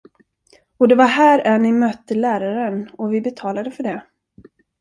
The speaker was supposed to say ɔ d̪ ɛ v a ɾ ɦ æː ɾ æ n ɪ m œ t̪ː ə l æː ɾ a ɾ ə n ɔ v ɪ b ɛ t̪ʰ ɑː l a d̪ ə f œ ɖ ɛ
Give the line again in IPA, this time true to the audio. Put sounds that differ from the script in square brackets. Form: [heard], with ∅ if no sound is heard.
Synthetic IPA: ɔ d̪ ɛ v a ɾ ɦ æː ɾ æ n ɪ m œ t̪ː ə l æː ɾ a ɾ ə n ɔ v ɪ b ɛ t̪ʰ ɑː l a d̪ ə f œ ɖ ɛ